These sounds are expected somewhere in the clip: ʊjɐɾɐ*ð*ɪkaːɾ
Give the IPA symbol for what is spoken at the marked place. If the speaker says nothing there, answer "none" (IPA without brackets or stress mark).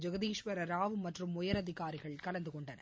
ð